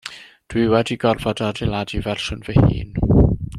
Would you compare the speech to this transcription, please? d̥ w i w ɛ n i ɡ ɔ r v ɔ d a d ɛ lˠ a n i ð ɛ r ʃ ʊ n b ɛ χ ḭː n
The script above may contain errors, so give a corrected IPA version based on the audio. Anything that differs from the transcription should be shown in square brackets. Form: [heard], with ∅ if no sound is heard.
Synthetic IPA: d̥ w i w ɛ [d] i ɡ ɔ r v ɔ d a d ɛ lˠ a [d] i [v] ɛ r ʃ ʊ n [v] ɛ [h] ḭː n